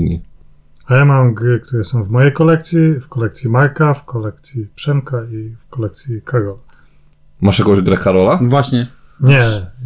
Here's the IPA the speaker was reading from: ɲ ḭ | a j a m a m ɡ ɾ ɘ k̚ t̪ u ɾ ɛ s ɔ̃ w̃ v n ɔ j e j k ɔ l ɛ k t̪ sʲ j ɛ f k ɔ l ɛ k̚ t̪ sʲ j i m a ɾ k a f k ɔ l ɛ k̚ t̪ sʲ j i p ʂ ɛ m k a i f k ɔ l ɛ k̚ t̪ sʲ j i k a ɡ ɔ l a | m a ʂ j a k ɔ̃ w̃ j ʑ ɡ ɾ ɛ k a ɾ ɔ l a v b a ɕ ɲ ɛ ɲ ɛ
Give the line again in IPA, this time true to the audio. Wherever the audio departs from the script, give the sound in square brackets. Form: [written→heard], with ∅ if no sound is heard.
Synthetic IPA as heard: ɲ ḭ | a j a m a m ɡ ɾ ɘ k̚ t̪ u ɾ ɛ s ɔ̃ w̃ v [n→m] ɔ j e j k ɔ l ɛ k t̪ sʲ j [ɛ→i] f k ɔ l ɛ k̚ t̪ sʲ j i m a ɾ k a f k ɔ l ɛ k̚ t̪ sʲ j i p ʂ ɛ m k a i f k ɔ l ɛ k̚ t̪ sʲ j i k a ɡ ɔ l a | m a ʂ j a k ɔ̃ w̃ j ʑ ɡ ɾ ɛ k a ɾ ɔ l a v [b→w] a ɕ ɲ ɛ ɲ ɛ